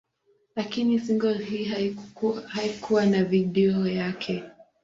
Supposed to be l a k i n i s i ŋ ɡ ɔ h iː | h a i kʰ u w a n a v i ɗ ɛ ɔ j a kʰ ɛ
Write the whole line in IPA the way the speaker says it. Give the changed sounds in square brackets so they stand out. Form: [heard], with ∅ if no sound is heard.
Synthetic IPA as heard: l a k i n i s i ŋ ɡ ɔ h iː | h a i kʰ u w a n a v i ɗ ɛ ɔ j a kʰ ɛ